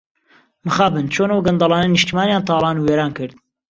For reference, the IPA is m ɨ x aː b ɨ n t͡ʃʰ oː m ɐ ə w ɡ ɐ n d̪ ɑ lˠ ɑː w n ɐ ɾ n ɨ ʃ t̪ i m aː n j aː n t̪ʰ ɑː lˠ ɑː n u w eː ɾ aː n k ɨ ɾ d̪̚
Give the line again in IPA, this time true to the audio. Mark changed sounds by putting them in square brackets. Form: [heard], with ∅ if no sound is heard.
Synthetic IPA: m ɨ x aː b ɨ n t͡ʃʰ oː [n] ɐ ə w ɡ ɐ n d̪ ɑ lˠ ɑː [∅] n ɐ [∅] n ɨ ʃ t̪ i m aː n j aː n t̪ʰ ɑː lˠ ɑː n u w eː ɾ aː n k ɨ ɾ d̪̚